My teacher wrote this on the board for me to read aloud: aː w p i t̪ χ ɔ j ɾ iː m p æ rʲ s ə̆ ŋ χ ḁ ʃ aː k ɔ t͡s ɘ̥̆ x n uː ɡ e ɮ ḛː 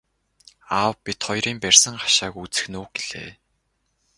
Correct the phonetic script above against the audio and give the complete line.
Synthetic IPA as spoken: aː w p i t̪ χ ɔ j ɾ iː m p æ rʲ s ə̆ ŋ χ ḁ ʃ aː k u t͡s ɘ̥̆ x n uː ɡ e ɮ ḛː

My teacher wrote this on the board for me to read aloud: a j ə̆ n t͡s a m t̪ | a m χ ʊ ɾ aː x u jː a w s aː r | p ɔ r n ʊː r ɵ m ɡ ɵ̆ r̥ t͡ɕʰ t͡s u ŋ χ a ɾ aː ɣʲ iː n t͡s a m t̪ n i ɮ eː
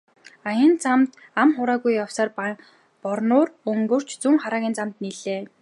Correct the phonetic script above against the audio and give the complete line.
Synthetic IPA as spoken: a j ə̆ n t͡s a m t̪ | a m χ ʊ ɾ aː ɣ u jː a w s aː r | p ɔ r n ʊː r ɵ ŋ ɡ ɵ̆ r̥ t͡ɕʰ t͡s u ŋ χ a ɾ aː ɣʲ iː n t͡s a m t̪ n i ɮ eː

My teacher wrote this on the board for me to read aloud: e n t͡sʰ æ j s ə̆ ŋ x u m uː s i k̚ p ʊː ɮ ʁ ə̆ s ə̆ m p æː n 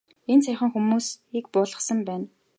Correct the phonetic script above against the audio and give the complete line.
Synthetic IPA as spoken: e n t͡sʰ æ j χ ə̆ ŋ x u m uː s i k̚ p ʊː ɮ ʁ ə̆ s ə̆ m p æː n

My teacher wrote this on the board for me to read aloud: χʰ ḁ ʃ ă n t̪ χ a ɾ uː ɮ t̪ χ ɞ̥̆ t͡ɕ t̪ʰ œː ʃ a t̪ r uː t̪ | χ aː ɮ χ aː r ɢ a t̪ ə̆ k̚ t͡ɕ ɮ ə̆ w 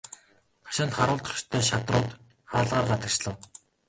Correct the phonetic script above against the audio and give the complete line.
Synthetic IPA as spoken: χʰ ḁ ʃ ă n t̪ χ a ɾ ʊː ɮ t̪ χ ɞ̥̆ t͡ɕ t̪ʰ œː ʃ a t̪ r ʊː t̪ | χ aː ɮ ʁ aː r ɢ a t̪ ə̆ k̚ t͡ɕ ɮ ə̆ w

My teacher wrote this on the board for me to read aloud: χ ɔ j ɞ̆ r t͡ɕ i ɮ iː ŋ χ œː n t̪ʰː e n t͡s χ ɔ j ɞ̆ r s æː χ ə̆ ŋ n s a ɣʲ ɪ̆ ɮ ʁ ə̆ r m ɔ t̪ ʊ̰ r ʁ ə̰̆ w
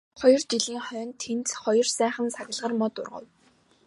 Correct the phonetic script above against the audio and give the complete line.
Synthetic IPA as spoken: χ ɔ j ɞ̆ r t͡ɕ i ɮ iː ŋ χ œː n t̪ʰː e n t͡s χ ɔ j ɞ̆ r s æː χ ə̆ n s a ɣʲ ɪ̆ ɮ ʁ ə̆ r m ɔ t̪ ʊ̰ r ʁ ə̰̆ w

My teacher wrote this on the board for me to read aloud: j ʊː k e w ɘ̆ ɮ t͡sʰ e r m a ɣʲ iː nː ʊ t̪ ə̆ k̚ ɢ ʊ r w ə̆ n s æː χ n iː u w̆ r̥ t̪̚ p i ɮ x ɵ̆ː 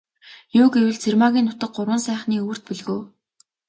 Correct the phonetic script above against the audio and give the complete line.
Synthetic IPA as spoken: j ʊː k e w ɘ̆ ɮ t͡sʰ e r m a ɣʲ iː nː ʊ t̪ ə̆ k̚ ɢ ʊ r w ə̆ n s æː χ n iː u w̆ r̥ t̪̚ p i ɮ ɣ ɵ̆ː

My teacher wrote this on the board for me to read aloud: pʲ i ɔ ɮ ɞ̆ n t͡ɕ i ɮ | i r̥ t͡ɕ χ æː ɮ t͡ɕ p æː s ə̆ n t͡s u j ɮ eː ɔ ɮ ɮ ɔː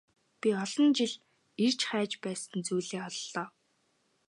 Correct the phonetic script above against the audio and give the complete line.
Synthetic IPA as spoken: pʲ i ɔ ɮ ɞ̆ n t͡ɕ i ɮ | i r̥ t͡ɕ χ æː t͡ɕ p æː s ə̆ n t͡s u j ɮ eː ɔ ɮ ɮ ɔː

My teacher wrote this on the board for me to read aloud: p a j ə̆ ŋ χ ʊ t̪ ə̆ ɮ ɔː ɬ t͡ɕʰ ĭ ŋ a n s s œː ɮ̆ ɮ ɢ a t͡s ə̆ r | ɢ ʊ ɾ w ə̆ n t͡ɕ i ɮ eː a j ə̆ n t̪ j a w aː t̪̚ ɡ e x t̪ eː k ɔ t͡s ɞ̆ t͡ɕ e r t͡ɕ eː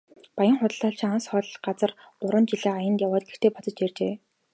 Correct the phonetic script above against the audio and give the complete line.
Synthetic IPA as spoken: p a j ə̆ ŋ χ ʊ t̪ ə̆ ɮ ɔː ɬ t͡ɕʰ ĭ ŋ a n s χ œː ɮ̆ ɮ ɢ a t͡s ə̆ r | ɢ ʊ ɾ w ə̆ n t͡ɕ i ɮ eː a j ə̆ n t̪ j a w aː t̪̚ ɡ e x t̪ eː p ɔ t͡s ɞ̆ t͡ɕ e r t͡ɕ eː

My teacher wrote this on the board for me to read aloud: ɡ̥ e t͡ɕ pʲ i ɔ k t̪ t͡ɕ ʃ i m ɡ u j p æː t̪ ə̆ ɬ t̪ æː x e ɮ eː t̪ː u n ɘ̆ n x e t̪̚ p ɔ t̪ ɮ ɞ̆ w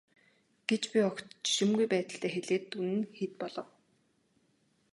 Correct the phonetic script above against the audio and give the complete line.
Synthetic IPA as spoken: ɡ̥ e t͡ɕ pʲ i ɔ k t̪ t͡ɕ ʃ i m ɡ u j p æː t̪ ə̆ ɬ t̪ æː x e ɮ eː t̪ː u n ɘ̆ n x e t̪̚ p ɔ ɮ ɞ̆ w

